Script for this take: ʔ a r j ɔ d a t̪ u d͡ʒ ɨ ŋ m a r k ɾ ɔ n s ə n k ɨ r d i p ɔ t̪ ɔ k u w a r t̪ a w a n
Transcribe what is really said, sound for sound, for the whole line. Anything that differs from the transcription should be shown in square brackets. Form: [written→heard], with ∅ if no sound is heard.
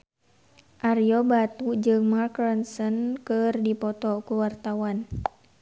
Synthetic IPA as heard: ʔ a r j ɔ [d→b] a t̪ u d͡ʒ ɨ ŋ m a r k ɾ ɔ n s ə n k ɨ r d i p ɔ t̪ ɔ k u w a r t̪ a w a n